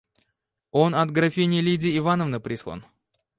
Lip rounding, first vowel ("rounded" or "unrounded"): rounded